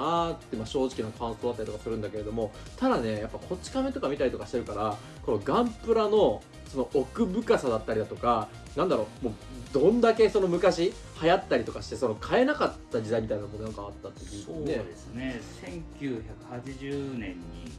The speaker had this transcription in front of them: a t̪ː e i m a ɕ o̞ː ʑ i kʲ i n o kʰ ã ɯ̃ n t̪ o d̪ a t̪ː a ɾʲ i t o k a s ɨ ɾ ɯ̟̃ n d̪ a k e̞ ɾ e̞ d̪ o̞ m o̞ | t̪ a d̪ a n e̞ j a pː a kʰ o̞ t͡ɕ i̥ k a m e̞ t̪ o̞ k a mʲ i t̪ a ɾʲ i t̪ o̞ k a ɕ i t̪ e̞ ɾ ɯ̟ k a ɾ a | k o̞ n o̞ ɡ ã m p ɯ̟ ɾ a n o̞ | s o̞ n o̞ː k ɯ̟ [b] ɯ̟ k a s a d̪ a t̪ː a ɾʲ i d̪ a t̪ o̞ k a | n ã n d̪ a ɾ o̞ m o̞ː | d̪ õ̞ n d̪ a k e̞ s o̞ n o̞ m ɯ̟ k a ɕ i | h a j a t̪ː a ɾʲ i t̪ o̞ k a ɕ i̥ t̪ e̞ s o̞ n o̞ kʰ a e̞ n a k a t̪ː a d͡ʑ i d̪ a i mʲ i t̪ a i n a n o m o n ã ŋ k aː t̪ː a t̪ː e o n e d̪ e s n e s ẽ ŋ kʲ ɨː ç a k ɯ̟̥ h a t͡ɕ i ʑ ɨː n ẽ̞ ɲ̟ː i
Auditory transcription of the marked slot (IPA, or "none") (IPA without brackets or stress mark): b